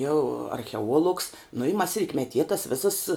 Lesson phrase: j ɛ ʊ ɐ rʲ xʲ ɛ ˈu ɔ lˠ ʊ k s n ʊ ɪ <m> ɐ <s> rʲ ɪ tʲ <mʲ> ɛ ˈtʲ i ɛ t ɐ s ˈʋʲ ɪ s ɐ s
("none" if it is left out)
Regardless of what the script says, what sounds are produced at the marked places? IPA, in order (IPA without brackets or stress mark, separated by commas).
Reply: m, s, mʲ